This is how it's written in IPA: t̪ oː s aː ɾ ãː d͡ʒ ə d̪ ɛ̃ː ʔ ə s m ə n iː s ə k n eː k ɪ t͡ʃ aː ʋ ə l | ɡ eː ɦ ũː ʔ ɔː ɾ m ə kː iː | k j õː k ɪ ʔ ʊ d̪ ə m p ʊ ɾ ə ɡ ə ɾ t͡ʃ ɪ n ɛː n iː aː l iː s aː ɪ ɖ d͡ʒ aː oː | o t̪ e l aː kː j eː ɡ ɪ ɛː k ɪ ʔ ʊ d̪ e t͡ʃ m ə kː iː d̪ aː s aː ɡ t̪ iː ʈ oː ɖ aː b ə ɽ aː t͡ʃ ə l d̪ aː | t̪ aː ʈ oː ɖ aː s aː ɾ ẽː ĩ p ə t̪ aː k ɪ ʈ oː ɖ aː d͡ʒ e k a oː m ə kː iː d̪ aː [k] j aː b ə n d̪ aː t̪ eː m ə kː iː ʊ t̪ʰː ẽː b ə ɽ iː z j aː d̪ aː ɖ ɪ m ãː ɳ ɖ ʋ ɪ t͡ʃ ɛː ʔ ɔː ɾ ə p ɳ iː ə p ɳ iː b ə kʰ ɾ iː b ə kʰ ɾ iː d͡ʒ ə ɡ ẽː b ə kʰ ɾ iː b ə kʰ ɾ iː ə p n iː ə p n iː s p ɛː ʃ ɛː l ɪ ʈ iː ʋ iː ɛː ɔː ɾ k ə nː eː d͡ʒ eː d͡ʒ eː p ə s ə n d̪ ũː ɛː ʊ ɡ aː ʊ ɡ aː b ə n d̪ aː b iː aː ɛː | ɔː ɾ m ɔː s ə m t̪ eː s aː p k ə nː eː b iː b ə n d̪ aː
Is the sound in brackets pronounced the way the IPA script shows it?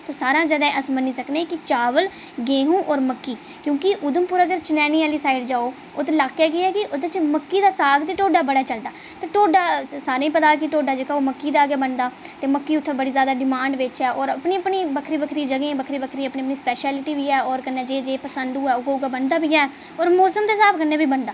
no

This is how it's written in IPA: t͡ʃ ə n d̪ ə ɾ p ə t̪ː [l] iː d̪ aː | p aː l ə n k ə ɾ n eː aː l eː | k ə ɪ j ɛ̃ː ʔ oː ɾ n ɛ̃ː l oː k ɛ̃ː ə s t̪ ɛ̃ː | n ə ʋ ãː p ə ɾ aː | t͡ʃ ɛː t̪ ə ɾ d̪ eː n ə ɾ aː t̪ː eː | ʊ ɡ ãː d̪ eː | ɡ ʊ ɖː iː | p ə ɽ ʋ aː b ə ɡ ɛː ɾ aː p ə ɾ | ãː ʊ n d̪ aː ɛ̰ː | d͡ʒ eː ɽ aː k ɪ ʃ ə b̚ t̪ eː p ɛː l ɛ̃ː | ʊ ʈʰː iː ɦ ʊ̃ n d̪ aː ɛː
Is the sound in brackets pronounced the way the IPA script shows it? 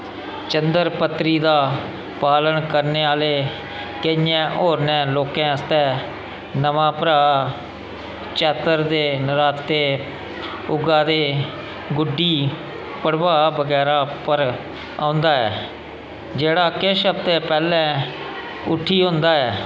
no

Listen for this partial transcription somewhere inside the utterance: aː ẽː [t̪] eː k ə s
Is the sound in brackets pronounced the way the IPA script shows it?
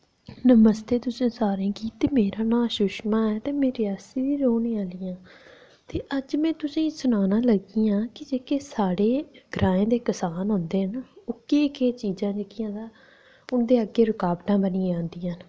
no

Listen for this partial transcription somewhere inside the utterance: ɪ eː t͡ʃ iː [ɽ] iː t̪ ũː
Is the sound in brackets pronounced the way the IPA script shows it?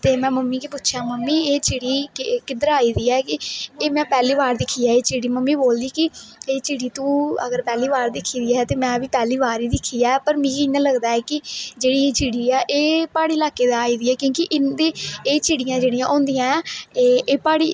yes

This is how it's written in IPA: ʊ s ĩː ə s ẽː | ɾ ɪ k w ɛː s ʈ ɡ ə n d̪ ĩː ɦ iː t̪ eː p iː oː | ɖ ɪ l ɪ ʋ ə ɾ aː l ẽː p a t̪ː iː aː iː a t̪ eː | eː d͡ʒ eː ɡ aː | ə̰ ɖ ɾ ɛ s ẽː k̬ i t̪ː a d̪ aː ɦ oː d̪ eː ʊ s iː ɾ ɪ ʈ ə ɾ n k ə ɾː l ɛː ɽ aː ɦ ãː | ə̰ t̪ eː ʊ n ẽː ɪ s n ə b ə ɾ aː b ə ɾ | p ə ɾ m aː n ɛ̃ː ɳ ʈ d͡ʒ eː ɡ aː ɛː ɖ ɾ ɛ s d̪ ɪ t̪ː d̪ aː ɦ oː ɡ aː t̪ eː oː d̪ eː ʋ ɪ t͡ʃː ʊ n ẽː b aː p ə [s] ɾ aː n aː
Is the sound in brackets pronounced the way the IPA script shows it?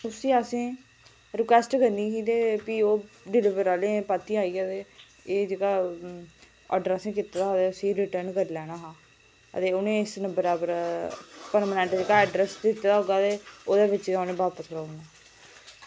yes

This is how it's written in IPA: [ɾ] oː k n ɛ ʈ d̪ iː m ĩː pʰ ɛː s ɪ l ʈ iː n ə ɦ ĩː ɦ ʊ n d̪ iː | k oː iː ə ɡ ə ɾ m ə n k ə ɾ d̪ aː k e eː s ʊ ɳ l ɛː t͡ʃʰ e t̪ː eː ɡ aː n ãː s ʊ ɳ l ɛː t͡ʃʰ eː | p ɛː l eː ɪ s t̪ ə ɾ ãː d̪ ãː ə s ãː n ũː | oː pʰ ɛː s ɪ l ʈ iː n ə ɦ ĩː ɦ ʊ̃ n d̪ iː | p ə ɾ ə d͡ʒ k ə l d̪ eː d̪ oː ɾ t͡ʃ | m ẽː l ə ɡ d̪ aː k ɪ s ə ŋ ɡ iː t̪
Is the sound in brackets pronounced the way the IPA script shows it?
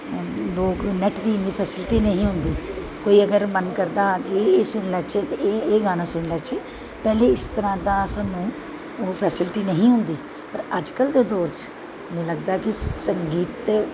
no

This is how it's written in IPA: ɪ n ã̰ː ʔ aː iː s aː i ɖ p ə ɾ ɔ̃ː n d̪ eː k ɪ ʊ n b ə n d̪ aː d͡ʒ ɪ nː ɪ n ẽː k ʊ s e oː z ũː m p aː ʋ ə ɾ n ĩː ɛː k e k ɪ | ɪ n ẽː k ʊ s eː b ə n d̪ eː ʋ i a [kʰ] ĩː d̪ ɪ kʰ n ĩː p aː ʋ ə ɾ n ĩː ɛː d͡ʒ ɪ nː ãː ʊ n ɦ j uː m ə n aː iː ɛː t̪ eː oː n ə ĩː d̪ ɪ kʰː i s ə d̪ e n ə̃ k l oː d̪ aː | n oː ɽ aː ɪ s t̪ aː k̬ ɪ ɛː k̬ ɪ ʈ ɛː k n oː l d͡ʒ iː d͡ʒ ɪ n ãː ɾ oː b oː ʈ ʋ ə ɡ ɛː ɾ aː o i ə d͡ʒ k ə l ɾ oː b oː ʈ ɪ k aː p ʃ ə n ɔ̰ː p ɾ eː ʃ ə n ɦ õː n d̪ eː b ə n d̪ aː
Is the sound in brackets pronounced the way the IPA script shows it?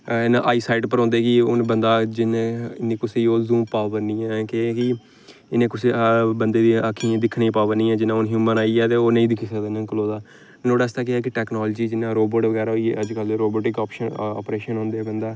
yes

